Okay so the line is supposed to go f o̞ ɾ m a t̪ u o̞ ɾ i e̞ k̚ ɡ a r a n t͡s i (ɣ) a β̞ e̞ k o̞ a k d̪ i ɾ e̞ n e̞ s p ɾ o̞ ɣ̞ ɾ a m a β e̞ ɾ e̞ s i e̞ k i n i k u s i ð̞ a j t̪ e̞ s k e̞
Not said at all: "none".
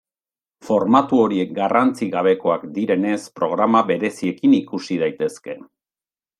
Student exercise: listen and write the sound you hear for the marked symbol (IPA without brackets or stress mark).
ɣ